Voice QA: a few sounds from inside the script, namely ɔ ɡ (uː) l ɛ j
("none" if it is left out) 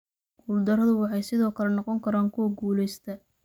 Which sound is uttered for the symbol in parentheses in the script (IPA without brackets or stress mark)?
uː